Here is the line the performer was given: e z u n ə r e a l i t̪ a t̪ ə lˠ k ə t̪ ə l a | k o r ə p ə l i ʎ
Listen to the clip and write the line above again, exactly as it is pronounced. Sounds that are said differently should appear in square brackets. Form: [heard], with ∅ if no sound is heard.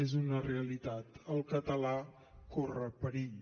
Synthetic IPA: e z u n ə r e [ə] l i t̪ a t̪ ə lˠ k ə t̪ ə l a | k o r ə p ə [ɾ] i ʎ